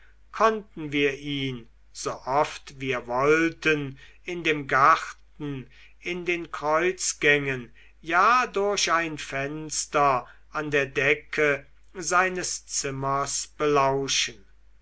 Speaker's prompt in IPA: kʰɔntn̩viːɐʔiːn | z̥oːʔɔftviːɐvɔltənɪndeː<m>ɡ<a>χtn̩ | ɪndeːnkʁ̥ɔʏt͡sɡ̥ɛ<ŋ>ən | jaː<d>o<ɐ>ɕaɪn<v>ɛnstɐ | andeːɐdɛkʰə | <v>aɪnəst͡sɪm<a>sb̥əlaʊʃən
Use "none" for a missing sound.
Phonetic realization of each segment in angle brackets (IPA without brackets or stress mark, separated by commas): m, a, ŋ, d, ɐ, f, z, ɐ